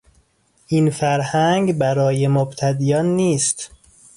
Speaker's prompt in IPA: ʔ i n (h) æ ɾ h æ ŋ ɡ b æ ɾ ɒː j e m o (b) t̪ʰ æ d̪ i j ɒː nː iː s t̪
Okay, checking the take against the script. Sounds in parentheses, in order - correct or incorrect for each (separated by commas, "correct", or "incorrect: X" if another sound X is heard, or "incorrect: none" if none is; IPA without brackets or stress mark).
incorrect: f, correct